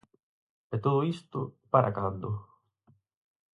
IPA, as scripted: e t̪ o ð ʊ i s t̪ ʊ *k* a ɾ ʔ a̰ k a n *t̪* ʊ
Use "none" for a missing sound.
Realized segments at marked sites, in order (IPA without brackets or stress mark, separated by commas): p, d̪